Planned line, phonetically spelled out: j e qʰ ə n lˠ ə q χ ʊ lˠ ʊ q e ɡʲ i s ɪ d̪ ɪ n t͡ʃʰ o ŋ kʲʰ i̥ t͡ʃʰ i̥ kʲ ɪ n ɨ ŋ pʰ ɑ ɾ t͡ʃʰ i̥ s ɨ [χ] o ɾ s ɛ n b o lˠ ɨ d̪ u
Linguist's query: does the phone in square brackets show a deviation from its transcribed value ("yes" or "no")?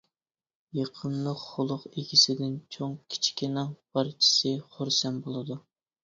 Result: no